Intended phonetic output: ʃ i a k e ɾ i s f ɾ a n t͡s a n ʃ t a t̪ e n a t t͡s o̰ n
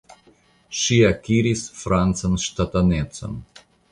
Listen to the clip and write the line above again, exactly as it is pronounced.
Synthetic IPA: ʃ i a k i ɾ i s f ɾ a n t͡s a n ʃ t a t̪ a n e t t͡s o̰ n